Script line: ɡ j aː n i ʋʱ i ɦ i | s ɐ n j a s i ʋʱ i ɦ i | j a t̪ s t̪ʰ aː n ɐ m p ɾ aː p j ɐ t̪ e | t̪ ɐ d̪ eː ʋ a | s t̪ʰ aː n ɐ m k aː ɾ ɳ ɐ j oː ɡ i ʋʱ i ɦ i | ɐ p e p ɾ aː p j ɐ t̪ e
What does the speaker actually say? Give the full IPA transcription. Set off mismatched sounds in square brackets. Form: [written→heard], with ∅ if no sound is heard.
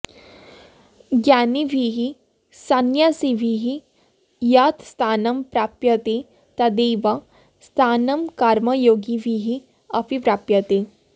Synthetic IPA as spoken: ɡ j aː n i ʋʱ i ɦ i | s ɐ n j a s i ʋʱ i ɦ i | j a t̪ s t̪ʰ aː n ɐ m p ɾ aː p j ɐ t̪ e | t̪ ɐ d̪ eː ʋ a | s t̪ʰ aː n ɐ m k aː ɾ [ɳ→m] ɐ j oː ɡ i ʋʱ i ɦ i | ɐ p [e→i] p ɾ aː p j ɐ t̪ e